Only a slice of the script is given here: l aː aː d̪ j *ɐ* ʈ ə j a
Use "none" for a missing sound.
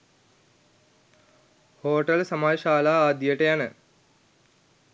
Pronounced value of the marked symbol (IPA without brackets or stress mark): ə